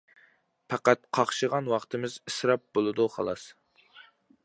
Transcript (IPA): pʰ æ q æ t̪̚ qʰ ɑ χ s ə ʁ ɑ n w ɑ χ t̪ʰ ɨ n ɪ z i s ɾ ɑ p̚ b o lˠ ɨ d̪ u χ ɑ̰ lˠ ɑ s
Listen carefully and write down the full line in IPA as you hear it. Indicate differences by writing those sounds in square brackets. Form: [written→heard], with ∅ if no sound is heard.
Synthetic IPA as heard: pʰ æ q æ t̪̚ qʰ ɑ χ [s→ʃ] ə ʁ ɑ n w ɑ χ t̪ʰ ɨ [n→m] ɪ z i s ɾ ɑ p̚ b o lˠ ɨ d̪ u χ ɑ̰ lˠ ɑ s